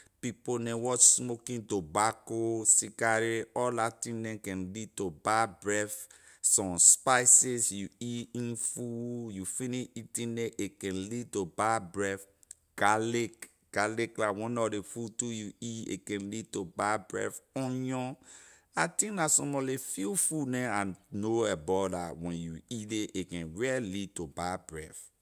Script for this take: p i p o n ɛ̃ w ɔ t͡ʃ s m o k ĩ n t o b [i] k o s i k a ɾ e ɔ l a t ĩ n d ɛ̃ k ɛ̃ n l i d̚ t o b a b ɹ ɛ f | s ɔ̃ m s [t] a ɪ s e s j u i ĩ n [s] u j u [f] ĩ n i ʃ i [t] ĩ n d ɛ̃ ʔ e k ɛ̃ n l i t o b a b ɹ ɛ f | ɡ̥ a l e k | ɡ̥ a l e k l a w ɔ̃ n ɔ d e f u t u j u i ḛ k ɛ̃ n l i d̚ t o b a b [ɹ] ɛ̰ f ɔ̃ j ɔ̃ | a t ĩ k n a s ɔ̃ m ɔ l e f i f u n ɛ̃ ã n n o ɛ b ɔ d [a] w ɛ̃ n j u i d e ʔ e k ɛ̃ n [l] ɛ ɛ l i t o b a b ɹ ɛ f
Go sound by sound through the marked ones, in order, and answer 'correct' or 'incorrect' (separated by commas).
incorrect, incorrect, incorrect, correct, correct, correct, correct, incorrect